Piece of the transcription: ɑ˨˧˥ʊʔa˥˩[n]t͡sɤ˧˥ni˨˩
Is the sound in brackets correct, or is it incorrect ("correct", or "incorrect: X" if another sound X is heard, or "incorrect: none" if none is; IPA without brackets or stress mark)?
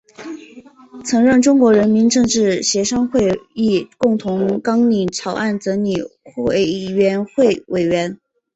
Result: correct